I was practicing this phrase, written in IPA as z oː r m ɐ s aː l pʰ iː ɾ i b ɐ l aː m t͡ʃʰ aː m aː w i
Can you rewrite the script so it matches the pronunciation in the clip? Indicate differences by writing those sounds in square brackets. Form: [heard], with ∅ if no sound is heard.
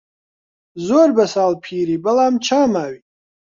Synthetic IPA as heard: z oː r [b] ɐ s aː l pʰ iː ɾ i b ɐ l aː m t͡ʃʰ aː m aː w i